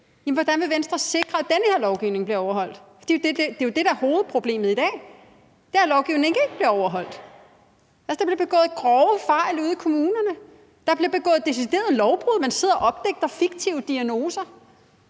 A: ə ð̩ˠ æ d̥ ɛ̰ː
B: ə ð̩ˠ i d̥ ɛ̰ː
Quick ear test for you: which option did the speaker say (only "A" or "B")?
B